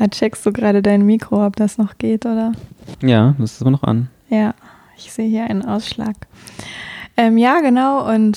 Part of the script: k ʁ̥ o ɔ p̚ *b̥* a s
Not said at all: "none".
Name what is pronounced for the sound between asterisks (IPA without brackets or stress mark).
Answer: d̥